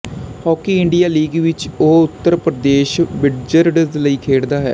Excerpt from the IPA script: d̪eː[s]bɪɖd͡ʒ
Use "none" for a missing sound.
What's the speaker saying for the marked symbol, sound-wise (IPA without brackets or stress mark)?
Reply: ʃ